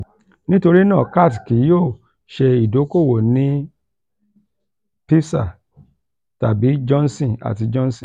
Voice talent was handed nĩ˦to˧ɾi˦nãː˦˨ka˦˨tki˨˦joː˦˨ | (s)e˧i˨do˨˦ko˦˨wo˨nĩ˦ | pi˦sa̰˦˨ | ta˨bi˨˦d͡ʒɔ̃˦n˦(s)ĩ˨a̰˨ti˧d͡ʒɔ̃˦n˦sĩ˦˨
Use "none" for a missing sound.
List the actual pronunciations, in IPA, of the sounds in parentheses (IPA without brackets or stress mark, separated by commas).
ʃ, s